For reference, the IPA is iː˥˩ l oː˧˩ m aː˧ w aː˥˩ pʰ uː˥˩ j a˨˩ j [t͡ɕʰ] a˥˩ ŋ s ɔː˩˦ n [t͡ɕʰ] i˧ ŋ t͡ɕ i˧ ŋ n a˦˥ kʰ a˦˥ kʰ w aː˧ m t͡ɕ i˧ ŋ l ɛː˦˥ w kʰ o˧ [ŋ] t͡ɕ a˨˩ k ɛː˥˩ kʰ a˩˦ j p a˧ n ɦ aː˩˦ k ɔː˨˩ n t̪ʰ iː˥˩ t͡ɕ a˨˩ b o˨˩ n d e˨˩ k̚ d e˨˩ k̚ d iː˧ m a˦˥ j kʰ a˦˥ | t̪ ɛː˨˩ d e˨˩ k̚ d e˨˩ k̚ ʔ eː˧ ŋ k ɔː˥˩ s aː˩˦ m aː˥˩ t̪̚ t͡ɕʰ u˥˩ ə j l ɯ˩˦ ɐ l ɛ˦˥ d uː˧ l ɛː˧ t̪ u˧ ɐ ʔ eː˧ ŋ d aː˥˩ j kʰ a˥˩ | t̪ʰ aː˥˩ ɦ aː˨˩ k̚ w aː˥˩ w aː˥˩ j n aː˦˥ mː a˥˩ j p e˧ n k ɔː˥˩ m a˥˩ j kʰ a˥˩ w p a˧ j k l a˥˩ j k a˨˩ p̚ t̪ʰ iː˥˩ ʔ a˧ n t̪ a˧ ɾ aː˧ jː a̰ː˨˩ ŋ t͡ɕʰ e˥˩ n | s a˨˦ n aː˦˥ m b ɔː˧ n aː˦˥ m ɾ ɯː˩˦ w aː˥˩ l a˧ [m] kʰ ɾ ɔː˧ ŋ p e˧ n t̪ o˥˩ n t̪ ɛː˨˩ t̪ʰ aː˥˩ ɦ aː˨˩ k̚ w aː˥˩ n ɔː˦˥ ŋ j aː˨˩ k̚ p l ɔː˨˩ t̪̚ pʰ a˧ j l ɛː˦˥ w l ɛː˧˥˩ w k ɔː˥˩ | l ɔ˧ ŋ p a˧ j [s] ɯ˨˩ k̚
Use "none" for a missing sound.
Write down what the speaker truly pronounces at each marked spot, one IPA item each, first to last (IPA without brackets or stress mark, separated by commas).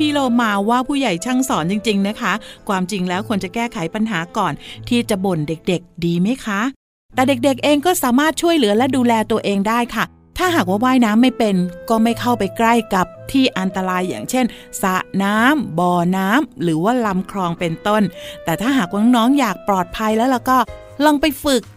t͡ɕʰ, t͡ɕ, n, m, f